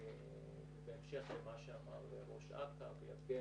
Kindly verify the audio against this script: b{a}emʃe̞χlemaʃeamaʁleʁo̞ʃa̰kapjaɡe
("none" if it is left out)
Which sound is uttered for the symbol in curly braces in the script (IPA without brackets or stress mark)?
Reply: e